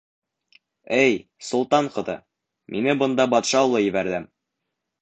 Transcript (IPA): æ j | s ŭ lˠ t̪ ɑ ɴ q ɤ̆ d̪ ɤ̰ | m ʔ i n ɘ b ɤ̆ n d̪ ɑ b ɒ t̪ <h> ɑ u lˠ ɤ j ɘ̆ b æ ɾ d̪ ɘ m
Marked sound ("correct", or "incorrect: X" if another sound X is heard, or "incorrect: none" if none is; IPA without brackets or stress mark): incorrect: ʃ